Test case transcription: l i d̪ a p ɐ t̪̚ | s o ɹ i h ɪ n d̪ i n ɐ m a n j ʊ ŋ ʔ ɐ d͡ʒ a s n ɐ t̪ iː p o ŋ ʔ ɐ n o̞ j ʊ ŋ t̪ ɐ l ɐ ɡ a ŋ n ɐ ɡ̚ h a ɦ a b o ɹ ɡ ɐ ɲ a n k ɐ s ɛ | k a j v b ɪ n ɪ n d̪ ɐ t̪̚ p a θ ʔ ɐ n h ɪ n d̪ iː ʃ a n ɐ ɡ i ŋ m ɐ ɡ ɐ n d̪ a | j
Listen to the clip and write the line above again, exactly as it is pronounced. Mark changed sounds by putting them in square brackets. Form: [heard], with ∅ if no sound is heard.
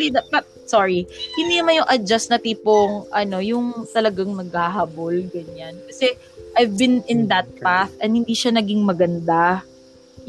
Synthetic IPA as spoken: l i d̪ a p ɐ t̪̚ | s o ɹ i h ɪ n d̪ i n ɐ m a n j ʊ ŋ ʔ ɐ d͡ʒ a s n ɐ t̪ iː p o ŋ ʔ ɐ n o̞ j ʊ ŋ t̪ ɐ l ɐ ɡ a ŋ n ɐ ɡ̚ h a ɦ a b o [l] ɡ ɐ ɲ a n k ɐ s ɛ | [ʔ] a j v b ɪ n ɪ n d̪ ɐ t̪̚ p a θ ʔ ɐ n h ɪ n d̪ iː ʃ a n ɐ ɡ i ŋ m ɐ ɡ ɐ n d̪ a | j